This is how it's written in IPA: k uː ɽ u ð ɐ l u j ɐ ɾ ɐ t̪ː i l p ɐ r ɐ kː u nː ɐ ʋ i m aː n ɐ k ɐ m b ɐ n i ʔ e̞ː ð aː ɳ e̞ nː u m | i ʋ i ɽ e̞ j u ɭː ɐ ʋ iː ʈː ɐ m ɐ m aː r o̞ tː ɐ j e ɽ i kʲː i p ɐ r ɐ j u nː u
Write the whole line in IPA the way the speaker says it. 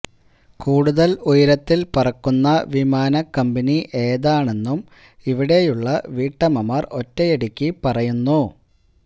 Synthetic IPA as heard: k uː ɽ u ð ɐ l u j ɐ ɾ ɐ t̪ː i l p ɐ r ɐ kː u nː ɐ ʋ i m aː n ɐ k ɐ m b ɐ n i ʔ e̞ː ð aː ɳ e̞ nː u m | i ʋ i ɽ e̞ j u ɭː ɐ ʋ iː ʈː ɐ m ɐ m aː r o̞ tː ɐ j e ɽ i kʲː i p ɐ r ɐ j u nː u